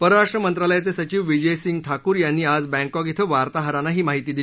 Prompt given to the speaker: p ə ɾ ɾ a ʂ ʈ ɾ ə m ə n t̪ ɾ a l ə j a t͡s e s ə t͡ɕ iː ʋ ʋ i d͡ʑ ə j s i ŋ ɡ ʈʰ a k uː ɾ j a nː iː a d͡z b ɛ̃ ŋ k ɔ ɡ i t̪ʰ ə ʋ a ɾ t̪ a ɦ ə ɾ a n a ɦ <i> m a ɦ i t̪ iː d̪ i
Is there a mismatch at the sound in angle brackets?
yes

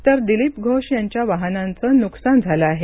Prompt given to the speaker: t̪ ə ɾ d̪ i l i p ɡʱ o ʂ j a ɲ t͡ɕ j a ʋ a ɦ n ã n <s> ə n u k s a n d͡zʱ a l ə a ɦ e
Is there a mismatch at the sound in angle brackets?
yes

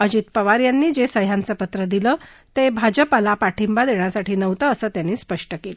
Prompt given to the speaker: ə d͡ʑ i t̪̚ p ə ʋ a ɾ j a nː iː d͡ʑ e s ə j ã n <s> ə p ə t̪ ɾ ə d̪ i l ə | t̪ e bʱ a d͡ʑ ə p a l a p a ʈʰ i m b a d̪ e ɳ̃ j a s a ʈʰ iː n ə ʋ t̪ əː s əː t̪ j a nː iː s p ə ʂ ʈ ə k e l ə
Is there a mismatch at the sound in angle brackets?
yes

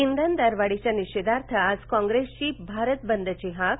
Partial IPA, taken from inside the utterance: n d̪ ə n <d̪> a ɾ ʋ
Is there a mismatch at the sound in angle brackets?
no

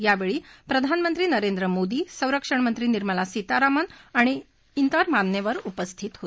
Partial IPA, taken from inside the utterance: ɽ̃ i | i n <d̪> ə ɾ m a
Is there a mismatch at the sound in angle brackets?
yes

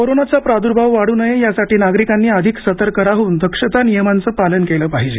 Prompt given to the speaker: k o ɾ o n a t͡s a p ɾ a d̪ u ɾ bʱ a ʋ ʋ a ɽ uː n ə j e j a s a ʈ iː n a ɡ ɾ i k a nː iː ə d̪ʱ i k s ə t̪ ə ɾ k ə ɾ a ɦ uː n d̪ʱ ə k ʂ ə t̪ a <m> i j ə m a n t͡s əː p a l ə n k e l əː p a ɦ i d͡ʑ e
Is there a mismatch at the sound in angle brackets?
yes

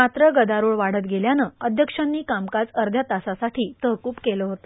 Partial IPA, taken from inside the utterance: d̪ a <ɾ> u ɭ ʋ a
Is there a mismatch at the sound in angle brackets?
no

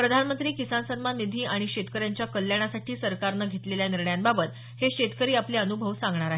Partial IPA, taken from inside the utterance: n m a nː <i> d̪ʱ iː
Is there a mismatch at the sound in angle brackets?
no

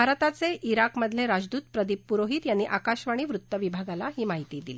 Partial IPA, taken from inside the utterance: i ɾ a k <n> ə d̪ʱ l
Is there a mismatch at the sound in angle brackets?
yes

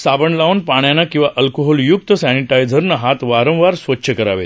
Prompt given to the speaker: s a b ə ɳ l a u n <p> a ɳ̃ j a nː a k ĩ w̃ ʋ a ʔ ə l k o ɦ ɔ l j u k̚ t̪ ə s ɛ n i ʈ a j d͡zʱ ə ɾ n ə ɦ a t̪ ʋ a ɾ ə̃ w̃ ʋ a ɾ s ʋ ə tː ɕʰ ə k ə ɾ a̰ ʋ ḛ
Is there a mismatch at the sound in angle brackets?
no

